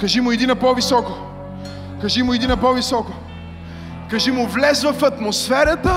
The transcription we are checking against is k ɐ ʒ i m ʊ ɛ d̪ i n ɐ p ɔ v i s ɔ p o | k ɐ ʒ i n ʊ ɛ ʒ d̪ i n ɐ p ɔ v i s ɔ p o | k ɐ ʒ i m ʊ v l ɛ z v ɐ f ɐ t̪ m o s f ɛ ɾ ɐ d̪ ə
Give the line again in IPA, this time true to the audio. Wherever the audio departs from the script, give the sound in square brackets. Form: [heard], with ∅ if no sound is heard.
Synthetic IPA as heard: k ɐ ʒ i m ʊ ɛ d̪ i n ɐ p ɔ v i s ɔ [k] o | k ɐ ʒ i [m] ʊ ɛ [∅] d̪ i n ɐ p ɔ v i s ɔ [k] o | k ɐ ʒ i m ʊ v l ɛ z v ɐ f ɐ t̪ m o s f ɛ ɾ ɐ [t̪] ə